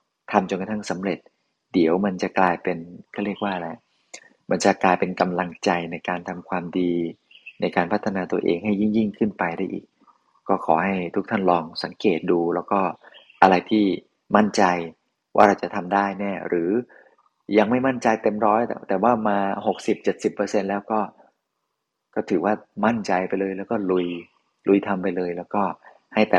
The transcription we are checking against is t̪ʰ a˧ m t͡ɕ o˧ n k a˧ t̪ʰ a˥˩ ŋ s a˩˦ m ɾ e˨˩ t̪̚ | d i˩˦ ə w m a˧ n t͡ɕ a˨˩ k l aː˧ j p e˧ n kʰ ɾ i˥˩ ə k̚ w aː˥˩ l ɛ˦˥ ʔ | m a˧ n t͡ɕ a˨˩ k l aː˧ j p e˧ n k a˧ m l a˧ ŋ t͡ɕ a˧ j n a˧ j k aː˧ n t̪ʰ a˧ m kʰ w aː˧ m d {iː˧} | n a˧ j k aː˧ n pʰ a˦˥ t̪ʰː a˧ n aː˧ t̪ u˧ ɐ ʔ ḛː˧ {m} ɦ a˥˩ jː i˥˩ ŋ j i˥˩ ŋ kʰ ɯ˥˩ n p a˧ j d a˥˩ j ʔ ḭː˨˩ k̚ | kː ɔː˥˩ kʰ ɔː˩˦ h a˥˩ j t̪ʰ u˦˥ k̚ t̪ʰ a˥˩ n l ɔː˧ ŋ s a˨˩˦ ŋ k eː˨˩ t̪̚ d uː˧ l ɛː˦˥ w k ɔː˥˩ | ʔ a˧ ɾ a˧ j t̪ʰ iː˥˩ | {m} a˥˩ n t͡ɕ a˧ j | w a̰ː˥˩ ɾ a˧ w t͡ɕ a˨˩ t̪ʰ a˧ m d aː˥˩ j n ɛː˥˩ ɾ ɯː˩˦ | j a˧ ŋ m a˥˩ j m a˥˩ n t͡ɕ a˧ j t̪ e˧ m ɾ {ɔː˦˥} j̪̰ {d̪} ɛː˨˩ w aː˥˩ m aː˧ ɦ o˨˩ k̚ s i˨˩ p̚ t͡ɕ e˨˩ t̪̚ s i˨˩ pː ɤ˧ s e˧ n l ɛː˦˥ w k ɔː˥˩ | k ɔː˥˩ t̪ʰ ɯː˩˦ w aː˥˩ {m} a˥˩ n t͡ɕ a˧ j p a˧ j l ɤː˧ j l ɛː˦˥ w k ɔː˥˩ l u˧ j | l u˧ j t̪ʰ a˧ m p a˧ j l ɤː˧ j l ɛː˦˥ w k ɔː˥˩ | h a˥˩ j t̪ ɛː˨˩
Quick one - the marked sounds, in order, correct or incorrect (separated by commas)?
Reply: correct, incorrect, correct, correct, incorrect, correct